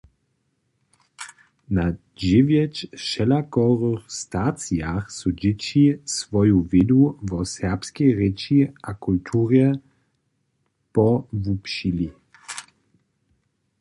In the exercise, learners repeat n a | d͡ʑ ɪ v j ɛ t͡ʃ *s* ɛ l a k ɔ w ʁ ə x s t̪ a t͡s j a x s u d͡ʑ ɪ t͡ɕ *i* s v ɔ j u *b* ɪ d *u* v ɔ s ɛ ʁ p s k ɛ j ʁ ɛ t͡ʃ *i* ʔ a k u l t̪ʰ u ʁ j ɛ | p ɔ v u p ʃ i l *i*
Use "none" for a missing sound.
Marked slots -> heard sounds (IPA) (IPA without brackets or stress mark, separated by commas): ʃ, i, v, u, i, i